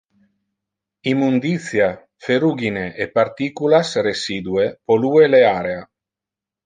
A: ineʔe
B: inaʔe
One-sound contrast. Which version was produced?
A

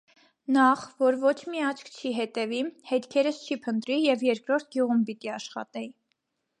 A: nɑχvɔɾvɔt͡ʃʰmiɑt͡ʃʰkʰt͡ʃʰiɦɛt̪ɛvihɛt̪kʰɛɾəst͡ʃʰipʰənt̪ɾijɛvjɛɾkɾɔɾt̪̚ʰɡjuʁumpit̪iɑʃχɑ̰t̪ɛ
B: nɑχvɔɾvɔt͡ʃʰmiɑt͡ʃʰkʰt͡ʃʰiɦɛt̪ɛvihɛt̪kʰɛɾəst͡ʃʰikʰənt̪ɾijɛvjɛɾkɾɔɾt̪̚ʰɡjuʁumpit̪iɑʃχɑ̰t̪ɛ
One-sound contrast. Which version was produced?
A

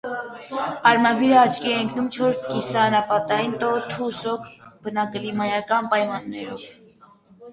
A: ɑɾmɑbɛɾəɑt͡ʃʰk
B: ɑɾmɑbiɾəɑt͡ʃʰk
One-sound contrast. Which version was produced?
B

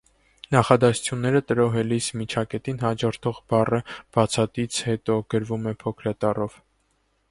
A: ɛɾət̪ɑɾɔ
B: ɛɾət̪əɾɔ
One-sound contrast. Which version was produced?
B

